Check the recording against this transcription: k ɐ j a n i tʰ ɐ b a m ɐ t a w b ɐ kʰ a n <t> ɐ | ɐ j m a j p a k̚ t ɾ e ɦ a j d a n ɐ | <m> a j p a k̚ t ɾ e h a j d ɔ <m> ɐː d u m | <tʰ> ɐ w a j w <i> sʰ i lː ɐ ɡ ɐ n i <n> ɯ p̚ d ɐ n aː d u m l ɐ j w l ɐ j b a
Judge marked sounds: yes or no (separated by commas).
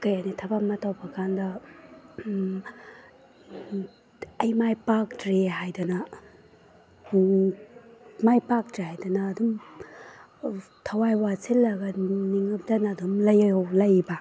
no, yes, no, yes, no, no